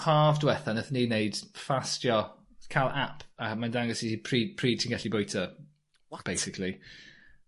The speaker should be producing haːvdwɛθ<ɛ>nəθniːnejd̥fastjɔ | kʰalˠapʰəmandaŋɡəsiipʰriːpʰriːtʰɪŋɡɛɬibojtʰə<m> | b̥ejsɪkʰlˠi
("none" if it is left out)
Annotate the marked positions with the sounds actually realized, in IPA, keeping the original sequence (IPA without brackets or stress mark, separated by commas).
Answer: a, none